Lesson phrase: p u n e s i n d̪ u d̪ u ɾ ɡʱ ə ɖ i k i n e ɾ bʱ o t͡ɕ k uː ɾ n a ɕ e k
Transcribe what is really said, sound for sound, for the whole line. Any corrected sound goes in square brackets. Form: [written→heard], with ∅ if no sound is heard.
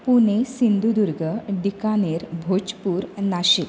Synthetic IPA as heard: p u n e s i n d̪ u d̪ u ɾ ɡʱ ə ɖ i k [i→a] n e ɾ bʱ o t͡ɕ [k→p] uː ɾ n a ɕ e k